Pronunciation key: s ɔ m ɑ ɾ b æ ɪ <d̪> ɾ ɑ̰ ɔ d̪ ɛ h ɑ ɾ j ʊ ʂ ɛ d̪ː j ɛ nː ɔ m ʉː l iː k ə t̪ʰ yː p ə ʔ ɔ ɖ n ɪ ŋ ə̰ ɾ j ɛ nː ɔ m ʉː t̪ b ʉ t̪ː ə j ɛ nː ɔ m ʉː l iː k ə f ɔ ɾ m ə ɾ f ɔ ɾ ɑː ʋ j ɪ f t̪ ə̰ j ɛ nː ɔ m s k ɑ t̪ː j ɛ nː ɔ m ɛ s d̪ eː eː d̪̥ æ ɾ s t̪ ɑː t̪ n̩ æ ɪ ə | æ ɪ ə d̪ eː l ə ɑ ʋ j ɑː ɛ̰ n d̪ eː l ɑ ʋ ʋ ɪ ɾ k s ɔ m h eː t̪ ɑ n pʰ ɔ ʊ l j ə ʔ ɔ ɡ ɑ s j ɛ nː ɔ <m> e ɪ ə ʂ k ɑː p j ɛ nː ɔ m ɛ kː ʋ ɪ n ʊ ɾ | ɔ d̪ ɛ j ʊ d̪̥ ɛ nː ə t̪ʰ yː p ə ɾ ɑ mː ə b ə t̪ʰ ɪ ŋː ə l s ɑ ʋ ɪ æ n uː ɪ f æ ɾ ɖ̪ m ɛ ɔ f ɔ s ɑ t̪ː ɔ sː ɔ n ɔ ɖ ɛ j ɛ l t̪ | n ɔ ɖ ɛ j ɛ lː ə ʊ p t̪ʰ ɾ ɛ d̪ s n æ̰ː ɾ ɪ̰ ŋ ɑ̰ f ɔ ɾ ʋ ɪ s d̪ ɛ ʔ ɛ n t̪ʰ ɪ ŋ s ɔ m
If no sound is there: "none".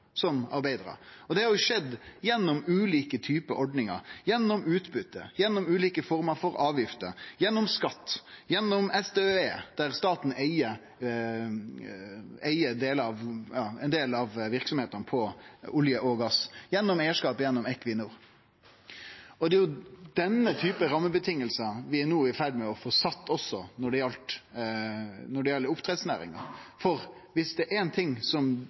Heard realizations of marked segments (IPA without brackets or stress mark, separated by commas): d̪, m